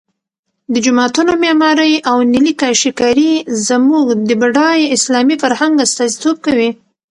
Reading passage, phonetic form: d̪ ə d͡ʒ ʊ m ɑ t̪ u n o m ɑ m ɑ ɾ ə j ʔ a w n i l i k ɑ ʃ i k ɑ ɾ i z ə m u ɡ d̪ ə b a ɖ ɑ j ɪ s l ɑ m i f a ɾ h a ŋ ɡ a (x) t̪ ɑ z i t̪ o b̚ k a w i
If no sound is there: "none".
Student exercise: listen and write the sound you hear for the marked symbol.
s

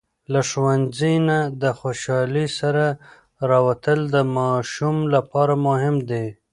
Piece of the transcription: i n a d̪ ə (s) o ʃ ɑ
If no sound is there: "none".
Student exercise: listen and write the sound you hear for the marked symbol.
x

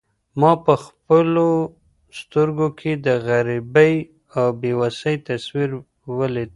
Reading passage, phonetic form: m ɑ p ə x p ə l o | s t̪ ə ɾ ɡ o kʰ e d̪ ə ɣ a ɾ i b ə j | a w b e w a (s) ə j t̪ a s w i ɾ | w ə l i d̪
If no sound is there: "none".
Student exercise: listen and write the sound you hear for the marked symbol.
s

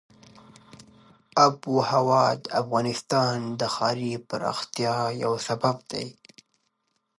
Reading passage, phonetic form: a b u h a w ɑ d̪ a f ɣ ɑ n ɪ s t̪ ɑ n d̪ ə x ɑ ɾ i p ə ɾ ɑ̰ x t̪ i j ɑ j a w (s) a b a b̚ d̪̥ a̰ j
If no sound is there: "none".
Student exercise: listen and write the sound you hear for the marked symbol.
s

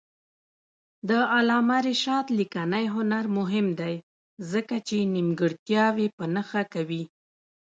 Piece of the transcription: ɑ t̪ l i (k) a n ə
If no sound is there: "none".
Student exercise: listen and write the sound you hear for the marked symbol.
k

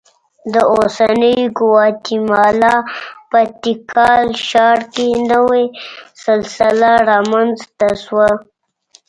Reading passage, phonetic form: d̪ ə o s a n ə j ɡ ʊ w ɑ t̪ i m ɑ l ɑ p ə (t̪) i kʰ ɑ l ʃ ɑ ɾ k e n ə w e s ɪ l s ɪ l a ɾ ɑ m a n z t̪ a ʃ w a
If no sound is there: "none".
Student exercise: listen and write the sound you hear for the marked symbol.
t̪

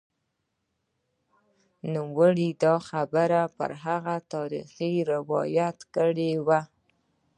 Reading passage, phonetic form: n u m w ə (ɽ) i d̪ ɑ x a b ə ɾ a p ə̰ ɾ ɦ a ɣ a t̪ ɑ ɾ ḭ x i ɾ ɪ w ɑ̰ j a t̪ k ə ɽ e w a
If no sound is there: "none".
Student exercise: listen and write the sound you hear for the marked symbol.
ɽ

